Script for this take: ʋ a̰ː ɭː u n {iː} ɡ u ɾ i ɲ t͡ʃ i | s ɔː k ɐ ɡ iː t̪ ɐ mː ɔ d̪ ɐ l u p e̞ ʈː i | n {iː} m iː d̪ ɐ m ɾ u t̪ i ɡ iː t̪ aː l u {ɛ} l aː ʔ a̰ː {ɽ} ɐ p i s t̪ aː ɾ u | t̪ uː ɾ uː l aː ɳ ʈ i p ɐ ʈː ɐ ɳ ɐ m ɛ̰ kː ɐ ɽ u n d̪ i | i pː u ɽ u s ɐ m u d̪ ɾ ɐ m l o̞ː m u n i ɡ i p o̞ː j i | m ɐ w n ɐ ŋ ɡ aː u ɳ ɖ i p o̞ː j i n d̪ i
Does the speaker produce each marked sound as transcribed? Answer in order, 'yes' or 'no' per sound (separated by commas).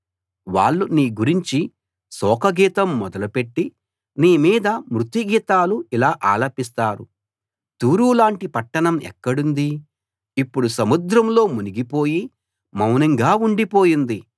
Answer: yes, yes, no, no